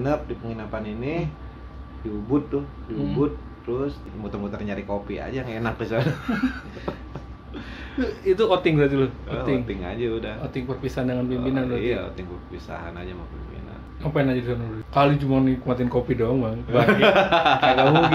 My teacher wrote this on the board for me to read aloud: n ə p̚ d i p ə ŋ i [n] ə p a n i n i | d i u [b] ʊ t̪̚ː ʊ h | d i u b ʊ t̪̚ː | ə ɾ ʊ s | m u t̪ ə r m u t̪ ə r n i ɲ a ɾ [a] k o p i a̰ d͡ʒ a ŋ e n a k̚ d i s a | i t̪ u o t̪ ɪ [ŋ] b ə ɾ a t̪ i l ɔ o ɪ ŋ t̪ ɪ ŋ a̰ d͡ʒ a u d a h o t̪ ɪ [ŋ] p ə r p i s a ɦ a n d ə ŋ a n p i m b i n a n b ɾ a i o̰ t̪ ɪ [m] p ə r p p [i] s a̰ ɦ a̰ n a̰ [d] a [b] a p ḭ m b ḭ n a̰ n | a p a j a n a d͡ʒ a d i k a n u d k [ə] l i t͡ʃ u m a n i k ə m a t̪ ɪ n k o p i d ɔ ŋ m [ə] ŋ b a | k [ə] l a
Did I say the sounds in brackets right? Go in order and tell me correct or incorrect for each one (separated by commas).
correct, correct, incorrect, correct, correct, incorrect, correct, incorrect, incorrect, incorrect, incorrect, incorrect